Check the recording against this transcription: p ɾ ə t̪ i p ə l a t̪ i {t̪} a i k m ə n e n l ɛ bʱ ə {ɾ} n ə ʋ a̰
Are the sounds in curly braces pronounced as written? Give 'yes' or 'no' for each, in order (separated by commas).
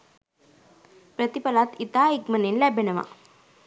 yes, no